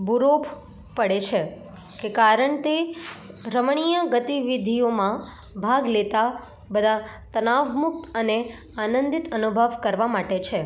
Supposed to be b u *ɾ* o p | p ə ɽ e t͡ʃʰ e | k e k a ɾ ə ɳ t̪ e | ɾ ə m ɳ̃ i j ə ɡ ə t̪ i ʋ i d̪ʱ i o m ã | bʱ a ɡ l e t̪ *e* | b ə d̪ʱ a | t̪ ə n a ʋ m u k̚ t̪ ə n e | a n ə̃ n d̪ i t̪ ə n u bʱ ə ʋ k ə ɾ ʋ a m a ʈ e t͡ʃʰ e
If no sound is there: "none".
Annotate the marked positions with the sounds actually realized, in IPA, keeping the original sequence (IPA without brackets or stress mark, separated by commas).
ɾ, a